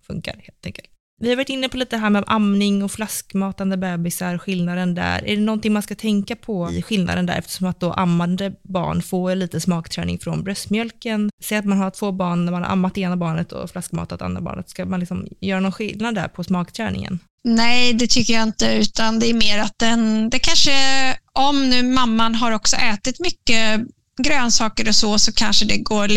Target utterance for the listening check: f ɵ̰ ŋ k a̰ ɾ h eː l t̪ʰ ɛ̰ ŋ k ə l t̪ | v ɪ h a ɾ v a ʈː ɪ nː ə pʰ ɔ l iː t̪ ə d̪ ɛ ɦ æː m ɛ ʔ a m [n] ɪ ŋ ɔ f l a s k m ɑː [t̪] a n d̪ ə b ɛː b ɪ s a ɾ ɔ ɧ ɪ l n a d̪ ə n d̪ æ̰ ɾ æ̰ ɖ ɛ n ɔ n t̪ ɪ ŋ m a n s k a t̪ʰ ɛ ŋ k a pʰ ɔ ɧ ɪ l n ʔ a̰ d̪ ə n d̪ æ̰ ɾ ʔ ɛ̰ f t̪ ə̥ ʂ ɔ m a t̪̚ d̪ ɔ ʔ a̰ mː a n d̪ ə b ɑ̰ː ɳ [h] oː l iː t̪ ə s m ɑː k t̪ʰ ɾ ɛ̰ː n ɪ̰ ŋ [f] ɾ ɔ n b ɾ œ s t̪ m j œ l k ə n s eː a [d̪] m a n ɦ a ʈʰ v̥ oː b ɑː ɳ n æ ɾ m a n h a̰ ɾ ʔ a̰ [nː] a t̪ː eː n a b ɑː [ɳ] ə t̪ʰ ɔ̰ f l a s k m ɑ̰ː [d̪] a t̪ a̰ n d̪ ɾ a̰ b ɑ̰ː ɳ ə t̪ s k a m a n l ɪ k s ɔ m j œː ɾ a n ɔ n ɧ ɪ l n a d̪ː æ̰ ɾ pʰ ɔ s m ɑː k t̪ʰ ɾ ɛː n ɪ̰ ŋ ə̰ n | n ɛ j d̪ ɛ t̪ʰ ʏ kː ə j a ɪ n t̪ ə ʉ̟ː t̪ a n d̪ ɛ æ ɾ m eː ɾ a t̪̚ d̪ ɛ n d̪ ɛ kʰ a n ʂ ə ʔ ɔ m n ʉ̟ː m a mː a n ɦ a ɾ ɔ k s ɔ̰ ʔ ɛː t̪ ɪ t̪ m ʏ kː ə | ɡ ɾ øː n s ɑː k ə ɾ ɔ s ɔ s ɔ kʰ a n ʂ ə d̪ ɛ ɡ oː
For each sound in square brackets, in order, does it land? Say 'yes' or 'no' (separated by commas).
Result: yes, yes, no, yes, no, no, yes, no